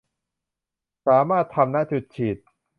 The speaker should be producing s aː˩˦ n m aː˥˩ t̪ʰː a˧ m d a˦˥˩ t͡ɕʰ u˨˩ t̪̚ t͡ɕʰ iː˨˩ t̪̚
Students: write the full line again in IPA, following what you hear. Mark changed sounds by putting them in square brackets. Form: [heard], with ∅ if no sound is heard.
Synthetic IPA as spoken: s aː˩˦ [∅] m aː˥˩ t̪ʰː a˧ m [n] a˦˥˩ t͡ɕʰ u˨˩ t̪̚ t͡ɕʰ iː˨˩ t̪̚